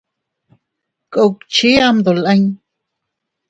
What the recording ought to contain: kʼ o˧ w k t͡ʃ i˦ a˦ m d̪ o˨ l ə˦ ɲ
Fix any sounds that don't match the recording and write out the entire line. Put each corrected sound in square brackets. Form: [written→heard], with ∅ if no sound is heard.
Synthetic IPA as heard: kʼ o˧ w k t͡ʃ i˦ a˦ m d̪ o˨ l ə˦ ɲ